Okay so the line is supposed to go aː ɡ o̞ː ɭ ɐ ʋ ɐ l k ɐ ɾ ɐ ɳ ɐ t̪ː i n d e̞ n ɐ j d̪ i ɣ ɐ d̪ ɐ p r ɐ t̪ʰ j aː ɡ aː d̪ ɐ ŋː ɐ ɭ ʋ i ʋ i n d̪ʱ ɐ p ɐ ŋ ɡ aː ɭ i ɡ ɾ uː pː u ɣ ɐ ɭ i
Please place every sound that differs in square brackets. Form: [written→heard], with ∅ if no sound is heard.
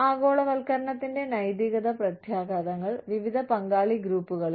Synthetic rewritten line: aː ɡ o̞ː ɭ ɐ ʋ ɐ l k ɐ ɾ ɐ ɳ ɐ t̪ː i n d e̞ n ɐ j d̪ i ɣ ɐ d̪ ɐ p r ɐ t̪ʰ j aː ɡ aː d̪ ɐ ŋː ɐ ɭ ʋ i ʋ i [n→∅] d̪ʱ ɐ p ɐ ŋ ɡ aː ɭ i ɡ ɾ uː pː u ɣ ɐ ɭ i